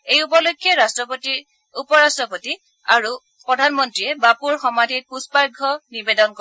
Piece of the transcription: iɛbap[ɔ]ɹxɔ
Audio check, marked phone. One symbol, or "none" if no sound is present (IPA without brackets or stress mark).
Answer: u